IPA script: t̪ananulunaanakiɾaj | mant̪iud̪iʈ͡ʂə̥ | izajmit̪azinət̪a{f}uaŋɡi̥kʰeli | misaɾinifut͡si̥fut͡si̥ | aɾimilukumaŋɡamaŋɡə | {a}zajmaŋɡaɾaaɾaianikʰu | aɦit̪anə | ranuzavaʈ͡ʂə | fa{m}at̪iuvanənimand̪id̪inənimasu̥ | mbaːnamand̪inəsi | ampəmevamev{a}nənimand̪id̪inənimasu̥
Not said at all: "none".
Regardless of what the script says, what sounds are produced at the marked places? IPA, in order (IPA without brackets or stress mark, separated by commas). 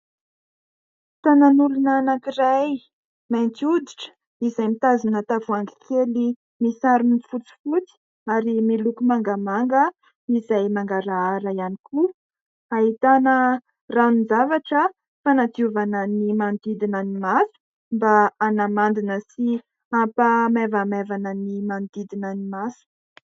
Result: v, i, n, a